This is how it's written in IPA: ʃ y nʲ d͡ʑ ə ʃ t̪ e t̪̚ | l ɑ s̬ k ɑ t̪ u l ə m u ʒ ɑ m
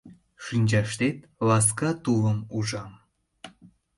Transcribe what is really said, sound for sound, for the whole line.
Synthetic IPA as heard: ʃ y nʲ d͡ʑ ɑ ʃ t̪ e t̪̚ | l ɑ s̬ k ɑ t̪ u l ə m u ʒ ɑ m